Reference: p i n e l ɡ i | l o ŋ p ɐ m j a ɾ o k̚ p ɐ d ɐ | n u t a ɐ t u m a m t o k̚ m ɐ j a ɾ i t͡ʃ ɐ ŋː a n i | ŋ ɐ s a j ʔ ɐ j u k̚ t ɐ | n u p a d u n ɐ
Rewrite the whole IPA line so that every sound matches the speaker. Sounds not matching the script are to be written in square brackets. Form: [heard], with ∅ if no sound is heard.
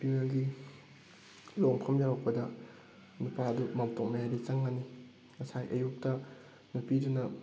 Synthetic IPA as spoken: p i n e l ɡ i | l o ŋ [pʰ] ɐ m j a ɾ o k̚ p ɐ d ɐ | n u [p] a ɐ [d] u m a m t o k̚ m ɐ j a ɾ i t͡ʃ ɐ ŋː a n i | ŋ ɐ s a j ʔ ɐ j u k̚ t ɐ | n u p [i] d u n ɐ